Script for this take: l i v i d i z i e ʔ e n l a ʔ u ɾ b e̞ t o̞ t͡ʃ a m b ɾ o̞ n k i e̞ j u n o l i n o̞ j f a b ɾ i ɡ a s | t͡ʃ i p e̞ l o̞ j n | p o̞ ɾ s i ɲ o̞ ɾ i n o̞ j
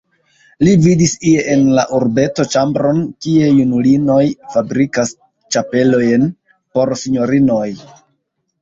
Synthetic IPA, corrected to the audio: l i v i d i s i e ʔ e n l a ʔ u ɾ b e̞ t o̞ t͡ʃ a m b ɾ o̞ n k i e̞ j u n u l i n o̞ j f a b ɾ i k a s | t͡ʃ a p e̞ l o̞ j n | p o̞ ɾ s i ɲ o̞ ɾ i n o̞ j